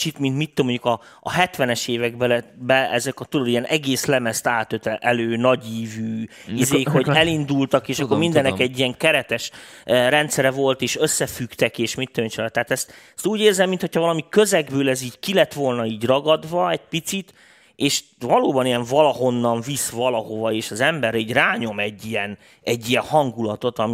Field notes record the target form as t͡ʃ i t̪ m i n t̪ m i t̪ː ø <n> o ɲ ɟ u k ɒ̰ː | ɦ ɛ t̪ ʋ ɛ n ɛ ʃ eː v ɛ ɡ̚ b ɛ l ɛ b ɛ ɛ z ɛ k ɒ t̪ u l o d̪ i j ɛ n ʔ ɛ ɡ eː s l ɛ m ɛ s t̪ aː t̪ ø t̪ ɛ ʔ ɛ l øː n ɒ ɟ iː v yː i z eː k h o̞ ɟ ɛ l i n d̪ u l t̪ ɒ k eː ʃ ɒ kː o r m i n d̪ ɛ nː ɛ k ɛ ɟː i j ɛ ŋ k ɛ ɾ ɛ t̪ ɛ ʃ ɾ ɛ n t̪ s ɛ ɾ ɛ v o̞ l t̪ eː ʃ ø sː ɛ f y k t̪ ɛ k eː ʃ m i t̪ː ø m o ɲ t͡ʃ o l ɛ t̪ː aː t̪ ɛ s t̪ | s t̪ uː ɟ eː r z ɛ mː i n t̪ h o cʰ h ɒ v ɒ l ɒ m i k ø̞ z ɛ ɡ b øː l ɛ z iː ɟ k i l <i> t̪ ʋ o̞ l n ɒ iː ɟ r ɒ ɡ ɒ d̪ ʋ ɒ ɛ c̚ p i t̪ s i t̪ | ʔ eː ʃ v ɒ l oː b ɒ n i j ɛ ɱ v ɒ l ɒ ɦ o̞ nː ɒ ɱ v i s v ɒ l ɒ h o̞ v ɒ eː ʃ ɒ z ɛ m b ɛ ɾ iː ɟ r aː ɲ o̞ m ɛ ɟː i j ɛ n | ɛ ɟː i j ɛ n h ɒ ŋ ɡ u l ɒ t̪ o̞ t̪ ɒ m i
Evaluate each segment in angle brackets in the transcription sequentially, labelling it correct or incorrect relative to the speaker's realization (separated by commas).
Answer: incorrect, incorrect